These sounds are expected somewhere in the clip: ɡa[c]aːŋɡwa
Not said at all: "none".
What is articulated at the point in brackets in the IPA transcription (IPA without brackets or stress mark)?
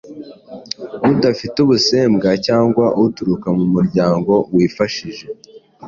c